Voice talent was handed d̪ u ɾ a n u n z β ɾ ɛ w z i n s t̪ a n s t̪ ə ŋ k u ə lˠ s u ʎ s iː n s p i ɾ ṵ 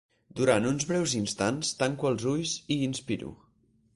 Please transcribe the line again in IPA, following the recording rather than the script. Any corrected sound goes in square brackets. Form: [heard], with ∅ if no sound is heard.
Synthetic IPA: d̪ u ɾ a n u n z β ɾ ɛ w z i n s t̪ a n s t̪ [a] ŋ k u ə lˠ [z] u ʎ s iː n s p i ɾ ṵ